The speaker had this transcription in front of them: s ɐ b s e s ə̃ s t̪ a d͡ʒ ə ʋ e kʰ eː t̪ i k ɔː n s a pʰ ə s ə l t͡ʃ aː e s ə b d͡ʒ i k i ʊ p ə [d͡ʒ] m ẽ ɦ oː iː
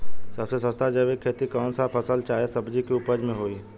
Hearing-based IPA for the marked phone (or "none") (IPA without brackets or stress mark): d͡ʒ